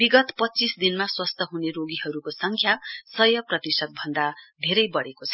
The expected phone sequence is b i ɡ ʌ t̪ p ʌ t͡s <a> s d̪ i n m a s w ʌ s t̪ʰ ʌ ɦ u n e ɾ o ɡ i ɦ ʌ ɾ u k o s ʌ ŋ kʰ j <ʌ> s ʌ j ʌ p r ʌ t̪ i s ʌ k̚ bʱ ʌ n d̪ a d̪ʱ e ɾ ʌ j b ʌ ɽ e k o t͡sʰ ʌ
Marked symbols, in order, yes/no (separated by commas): no, no